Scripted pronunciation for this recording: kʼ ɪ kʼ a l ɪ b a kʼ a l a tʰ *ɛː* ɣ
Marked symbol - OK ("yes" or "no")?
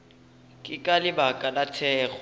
yes